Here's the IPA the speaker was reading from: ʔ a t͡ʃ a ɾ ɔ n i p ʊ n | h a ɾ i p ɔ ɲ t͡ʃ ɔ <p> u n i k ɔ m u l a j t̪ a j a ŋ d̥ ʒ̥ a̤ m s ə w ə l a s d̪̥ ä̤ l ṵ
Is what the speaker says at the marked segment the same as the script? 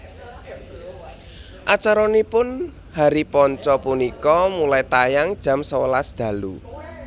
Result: yes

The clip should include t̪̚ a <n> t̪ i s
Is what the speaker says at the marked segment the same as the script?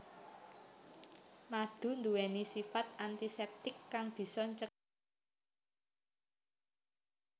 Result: yes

